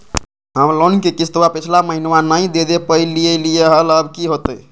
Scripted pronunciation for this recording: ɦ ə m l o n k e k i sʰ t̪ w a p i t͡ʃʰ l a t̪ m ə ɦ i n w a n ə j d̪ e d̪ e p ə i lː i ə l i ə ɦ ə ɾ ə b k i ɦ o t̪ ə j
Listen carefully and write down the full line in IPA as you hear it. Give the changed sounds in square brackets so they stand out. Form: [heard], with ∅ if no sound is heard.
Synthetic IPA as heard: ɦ ə m l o n k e k i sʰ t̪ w a p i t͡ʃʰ l a [∅] m ə ɦ i n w a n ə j d̪ e d̪ e p ə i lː i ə l i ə ɦ ə [l] ə b k i ɦ o t̪ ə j